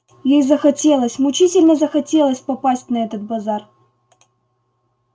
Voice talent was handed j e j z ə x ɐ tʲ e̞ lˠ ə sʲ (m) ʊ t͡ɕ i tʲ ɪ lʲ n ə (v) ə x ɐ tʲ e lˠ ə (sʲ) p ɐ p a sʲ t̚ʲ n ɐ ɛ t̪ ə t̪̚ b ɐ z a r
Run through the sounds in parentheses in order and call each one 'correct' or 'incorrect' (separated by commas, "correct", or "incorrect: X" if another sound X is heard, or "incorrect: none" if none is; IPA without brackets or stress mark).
correct, incorrect: z, correct